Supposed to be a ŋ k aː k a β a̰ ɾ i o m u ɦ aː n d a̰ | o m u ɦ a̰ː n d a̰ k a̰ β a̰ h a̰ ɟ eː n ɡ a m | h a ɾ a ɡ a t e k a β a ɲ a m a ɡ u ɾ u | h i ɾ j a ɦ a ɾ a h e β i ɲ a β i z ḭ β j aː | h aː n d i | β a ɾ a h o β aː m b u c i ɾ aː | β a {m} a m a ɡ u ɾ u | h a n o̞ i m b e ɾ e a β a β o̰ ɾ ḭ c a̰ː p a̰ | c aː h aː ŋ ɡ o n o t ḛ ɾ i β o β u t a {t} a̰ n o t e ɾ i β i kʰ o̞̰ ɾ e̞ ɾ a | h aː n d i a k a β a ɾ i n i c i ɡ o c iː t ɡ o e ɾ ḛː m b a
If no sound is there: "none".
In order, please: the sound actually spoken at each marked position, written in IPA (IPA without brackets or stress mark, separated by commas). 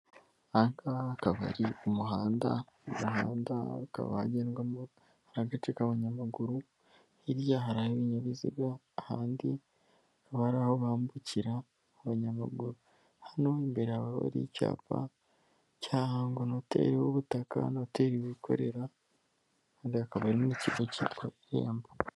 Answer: ɲ, k